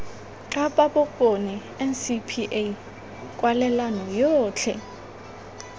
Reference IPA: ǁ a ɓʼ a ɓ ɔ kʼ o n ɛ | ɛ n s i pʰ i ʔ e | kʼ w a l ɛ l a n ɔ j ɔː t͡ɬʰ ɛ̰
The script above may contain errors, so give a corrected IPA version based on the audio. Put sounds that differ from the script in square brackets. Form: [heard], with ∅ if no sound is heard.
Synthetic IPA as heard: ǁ a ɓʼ a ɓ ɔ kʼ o n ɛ | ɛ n s i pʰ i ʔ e | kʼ w a l ɛ l a n ɔ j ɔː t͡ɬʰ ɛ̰